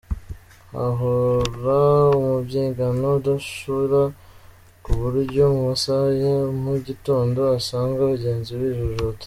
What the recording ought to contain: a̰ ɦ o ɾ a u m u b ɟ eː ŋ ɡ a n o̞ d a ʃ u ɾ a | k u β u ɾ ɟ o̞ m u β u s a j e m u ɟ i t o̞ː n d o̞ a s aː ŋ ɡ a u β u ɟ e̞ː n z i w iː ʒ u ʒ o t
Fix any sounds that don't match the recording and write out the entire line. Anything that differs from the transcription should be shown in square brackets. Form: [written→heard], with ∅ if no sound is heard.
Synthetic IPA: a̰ ɦ o ɾ a u m u b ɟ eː ŋ ɡ a n o̞ d a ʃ u ɾ a | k u β u ɾ ɟ o̞ m u β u s a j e m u ɟ i t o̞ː n d o̞ a s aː ŋ ɡ a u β u ɟ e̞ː n z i w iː ʒ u ʒ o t